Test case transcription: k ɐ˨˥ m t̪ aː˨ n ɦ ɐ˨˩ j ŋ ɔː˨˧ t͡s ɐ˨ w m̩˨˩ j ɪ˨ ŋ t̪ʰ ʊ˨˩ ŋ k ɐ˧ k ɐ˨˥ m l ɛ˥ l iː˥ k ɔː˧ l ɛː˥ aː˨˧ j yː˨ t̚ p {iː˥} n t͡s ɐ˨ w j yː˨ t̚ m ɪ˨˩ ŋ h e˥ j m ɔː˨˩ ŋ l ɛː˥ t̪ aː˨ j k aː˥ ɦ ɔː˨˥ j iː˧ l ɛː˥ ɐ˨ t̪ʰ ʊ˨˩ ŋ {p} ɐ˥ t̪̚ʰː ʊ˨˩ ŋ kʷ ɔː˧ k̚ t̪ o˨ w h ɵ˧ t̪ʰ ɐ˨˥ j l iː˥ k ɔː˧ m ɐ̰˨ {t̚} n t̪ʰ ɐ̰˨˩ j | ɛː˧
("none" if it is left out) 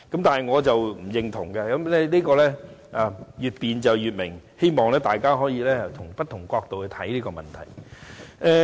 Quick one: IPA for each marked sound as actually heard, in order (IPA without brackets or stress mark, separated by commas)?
iː˨, p, none